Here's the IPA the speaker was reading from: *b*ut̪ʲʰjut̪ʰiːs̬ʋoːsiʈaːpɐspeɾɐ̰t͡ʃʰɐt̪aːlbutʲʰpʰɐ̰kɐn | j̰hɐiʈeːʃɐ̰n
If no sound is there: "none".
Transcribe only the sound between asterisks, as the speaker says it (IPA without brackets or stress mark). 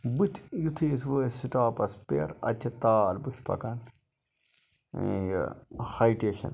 b